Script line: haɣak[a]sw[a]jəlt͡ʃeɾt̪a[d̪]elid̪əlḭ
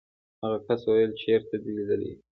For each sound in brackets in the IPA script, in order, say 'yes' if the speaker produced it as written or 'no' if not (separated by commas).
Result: yes, yes, yes